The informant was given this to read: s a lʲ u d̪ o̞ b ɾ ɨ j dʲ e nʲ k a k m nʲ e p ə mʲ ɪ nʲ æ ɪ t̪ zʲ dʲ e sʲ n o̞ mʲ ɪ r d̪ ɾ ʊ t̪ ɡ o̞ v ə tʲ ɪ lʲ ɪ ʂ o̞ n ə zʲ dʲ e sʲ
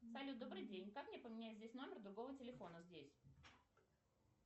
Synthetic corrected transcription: s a lʲ u d̪ o̞ b ɾ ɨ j dʲ e nʲ k a k m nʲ e p ə mʲ ɪ nʲ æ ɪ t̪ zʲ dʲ e sʲ n o̞ mʲ ɪ r d̪ ɾ ʊ ɡ o̞ v ə tʲ ɪ lʲ ɪ f o̞ n ə zʲ dʲ e sʲ